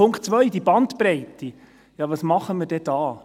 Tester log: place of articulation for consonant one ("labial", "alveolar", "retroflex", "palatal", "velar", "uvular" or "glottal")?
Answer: velar